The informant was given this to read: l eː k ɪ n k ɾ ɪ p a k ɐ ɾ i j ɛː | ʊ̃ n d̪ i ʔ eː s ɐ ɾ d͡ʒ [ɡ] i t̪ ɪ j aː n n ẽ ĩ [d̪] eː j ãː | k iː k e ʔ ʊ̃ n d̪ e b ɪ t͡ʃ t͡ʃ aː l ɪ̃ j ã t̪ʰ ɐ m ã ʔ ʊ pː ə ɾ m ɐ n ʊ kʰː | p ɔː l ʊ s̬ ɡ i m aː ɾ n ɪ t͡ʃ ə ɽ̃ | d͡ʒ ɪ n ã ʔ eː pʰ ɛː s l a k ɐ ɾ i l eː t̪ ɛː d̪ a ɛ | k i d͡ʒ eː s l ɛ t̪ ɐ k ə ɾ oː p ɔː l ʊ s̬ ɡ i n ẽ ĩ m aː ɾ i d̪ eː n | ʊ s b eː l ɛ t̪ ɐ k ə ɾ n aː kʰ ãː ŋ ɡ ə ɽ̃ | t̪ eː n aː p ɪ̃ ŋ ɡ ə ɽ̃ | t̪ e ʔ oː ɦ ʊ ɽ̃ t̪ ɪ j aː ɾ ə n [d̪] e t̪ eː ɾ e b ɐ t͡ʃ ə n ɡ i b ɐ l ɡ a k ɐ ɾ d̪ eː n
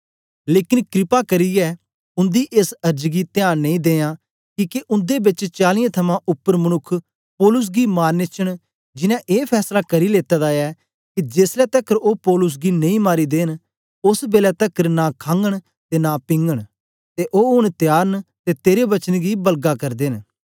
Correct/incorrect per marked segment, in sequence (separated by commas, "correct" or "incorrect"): correct, correct, incorrect